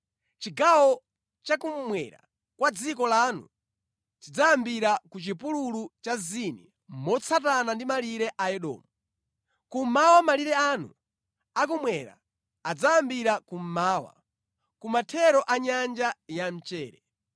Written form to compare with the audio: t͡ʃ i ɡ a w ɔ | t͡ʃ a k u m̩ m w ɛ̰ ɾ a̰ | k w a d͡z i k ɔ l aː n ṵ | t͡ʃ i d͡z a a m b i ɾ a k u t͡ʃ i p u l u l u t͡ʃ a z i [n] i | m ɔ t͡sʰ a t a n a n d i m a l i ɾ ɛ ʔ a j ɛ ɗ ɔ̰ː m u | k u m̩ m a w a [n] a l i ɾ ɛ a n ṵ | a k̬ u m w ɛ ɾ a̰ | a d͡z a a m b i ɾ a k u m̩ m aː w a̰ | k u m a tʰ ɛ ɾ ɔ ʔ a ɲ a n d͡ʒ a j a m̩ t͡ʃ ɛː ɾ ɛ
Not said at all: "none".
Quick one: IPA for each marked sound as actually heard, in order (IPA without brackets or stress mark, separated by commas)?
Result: n, m